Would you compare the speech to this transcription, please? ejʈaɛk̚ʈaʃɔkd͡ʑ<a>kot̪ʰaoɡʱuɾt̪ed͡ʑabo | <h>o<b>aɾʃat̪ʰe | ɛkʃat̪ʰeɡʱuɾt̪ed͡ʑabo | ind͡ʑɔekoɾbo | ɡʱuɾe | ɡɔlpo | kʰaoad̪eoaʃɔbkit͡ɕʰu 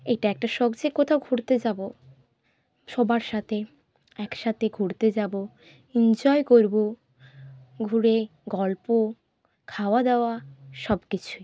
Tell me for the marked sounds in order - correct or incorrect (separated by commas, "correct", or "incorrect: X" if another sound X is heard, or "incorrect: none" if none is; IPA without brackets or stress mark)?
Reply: incorrect: e, incorrect: ʃ, correct